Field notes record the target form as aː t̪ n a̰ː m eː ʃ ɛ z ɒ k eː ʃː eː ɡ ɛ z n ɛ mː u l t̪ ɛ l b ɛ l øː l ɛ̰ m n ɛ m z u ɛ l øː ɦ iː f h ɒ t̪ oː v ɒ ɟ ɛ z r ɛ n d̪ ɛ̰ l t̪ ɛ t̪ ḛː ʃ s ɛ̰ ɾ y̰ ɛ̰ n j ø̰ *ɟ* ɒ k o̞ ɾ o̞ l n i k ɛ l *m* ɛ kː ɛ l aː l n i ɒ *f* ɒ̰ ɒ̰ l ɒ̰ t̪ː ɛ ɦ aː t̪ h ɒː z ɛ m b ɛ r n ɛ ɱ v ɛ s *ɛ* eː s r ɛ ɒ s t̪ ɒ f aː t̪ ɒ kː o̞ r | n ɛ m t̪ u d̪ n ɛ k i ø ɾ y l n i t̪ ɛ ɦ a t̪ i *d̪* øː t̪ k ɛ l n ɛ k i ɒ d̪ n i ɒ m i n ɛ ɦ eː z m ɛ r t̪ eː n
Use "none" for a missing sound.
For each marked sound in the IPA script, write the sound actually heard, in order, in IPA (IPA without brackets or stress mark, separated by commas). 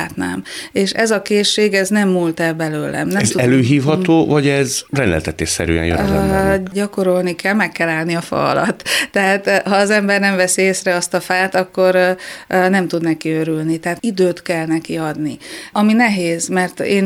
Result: ɟ, m, f, i, d̪